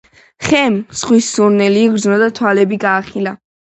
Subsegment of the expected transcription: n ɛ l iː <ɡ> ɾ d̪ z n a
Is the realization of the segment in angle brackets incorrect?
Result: no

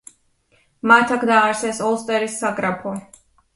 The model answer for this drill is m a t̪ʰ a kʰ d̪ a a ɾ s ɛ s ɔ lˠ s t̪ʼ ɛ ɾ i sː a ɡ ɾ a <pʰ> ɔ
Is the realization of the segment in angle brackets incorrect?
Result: no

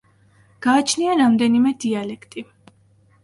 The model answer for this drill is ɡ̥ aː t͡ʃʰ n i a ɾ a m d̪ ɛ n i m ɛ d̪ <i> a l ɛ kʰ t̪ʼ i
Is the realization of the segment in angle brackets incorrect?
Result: no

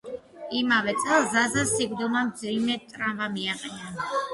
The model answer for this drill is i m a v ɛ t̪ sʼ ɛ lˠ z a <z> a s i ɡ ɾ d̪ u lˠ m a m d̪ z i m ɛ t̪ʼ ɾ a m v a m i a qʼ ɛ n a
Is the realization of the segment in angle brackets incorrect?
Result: no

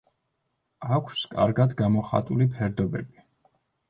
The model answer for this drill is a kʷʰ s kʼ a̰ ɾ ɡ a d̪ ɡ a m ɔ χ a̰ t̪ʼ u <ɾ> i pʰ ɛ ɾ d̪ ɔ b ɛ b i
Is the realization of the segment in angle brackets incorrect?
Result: yes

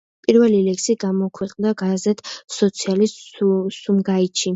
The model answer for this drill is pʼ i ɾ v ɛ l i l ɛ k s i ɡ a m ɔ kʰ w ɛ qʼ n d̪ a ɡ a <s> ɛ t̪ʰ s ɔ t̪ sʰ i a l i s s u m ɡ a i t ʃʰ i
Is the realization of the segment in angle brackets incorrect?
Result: yes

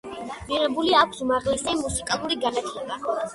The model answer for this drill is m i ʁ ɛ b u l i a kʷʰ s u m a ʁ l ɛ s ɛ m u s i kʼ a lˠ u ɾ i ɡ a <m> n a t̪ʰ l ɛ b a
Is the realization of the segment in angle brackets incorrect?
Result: yes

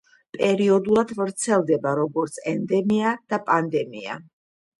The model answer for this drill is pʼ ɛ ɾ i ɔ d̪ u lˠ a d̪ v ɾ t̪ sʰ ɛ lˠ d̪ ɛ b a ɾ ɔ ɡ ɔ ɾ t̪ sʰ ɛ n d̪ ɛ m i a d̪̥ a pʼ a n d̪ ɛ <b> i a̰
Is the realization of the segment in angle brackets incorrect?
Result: yes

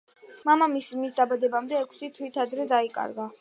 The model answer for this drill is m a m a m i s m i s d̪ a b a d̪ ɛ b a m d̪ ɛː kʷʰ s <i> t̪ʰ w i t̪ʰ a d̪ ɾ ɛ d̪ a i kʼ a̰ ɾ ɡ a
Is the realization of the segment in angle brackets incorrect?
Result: no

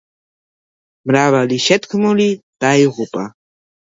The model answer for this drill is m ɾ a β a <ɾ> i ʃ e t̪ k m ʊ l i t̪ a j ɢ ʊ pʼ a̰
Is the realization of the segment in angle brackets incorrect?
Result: yes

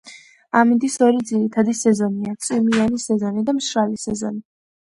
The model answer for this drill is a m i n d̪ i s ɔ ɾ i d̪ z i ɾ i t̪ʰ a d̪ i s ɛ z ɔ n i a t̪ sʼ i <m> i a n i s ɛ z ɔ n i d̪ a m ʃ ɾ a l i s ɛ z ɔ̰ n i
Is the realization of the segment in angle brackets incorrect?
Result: no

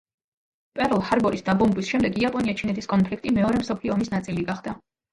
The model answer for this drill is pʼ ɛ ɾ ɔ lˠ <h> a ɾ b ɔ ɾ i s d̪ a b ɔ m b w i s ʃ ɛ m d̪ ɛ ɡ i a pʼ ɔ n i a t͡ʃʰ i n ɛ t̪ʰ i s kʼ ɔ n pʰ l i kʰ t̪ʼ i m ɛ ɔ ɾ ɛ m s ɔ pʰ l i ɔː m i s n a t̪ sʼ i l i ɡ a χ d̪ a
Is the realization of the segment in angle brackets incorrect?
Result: no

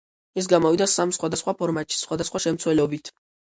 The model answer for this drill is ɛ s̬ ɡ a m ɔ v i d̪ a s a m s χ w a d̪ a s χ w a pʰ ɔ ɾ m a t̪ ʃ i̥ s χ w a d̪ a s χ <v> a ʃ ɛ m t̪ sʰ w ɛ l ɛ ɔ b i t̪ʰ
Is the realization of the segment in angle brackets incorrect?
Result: yes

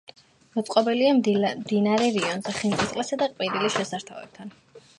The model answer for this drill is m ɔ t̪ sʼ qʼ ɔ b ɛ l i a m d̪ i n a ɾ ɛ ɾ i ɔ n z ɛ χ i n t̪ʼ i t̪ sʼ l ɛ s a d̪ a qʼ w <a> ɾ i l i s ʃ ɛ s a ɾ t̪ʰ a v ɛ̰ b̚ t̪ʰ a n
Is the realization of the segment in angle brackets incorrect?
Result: yes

